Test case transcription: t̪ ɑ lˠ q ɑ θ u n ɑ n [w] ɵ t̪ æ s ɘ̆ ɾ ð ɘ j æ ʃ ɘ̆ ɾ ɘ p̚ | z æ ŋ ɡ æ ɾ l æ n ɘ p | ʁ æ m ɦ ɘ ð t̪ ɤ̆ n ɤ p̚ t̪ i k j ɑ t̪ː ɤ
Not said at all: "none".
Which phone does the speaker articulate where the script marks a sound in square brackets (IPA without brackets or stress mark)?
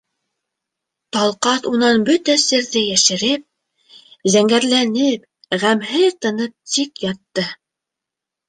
b